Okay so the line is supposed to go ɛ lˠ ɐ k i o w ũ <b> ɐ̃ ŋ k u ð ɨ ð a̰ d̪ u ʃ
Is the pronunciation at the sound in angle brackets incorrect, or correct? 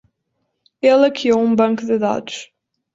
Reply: correct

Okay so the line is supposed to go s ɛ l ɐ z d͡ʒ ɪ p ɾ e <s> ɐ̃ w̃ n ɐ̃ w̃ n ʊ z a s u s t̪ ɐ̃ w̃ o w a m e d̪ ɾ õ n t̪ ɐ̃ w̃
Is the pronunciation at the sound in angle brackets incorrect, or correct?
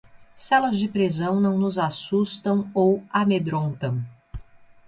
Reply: incorrect: z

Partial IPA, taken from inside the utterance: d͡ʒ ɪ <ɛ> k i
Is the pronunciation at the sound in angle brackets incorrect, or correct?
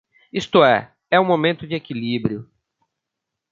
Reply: incorrect: e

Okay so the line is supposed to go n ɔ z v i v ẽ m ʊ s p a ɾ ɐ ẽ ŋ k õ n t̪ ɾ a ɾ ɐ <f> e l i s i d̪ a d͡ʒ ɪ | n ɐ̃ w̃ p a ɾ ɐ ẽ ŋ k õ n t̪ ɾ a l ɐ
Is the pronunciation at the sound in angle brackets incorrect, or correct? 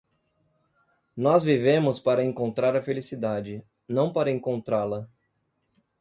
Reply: correct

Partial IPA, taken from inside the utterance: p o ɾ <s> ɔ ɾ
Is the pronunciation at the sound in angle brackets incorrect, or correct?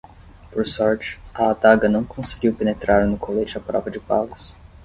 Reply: correct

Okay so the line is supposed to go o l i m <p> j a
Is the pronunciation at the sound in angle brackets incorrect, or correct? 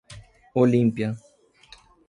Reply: correct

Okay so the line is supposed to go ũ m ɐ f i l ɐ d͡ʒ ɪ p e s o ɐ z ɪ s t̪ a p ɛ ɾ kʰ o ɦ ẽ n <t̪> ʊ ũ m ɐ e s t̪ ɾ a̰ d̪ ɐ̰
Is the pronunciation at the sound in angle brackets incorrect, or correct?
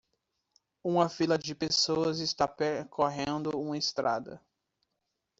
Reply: incorrect: d̪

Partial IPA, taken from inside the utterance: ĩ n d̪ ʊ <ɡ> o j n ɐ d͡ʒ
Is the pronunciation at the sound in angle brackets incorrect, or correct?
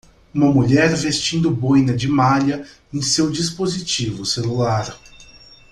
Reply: incorrect: b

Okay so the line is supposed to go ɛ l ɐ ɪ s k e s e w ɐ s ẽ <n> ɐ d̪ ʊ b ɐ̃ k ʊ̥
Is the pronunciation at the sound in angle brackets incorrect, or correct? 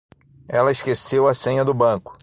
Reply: incorrect: ɲ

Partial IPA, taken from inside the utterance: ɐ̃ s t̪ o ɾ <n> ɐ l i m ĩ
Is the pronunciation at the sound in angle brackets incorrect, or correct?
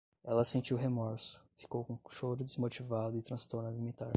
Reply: correct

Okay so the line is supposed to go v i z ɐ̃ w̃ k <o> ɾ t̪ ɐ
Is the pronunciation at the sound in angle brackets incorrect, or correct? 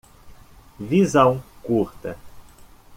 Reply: incorrect: u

